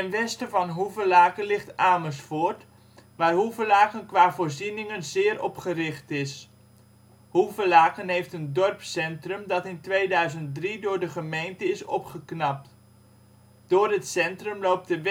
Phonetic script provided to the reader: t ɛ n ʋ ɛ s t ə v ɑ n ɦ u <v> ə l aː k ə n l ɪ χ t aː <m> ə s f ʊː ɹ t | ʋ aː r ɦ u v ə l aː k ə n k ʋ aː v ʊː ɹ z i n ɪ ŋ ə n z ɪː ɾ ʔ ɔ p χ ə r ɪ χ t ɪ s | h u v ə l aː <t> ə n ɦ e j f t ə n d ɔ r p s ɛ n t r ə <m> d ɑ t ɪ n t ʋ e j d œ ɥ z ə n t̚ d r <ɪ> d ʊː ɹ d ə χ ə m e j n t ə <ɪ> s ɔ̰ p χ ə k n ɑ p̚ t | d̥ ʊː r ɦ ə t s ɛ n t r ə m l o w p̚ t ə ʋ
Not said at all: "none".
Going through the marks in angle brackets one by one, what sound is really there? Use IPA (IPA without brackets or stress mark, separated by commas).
v, m, k, m, i, ɪ